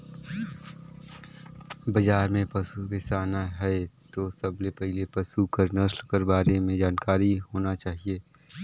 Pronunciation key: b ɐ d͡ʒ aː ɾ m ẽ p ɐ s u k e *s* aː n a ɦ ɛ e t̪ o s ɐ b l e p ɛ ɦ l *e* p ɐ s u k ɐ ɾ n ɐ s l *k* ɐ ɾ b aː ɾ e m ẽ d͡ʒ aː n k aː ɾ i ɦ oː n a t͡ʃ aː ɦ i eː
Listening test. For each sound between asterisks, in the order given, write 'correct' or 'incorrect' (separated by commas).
correct, correct, correct